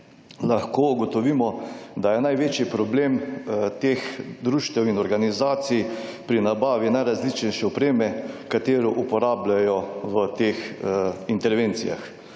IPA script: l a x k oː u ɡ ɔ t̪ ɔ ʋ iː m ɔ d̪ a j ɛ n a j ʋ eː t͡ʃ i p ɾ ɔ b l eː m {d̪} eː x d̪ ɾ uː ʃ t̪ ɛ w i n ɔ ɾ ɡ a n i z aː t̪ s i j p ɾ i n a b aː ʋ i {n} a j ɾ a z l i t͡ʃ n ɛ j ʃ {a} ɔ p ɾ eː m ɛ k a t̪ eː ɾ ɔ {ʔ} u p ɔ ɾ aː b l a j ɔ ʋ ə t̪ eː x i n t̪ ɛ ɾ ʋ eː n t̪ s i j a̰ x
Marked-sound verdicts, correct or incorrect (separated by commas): incorrect, correct, incorrect, correct